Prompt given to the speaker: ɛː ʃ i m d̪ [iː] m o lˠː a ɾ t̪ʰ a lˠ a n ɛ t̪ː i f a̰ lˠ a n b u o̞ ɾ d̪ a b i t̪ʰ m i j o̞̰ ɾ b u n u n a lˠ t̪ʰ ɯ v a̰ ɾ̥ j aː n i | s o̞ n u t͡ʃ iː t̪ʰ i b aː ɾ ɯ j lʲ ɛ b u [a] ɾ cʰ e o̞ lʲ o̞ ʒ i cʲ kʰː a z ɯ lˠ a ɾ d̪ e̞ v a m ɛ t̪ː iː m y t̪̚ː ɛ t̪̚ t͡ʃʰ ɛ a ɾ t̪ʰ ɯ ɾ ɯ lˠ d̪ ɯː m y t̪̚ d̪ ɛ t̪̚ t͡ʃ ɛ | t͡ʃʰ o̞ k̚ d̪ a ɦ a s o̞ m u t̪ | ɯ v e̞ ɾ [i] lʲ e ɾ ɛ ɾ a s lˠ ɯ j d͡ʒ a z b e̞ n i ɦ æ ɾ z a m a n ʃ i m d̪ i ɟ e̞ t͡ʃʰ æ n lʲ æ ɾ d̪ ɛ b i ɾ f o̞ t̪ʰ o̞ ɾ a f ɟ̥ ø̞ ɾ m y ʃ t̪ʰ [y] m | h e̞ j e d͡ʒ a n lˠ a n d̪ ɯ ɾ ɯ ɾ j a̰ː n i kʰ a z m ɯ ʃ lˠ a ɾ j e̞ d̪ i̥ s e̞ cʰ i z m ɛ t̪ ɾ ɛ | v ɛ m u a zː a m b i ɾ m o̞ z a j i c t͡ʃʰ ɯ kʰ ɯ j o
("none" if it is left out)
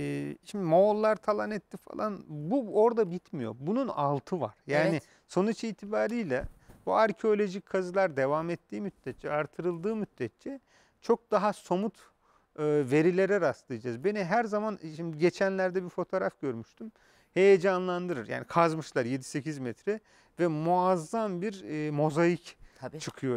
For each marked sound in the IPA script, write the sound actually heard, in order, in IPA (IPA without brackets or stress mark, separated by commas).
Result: i, a, i, y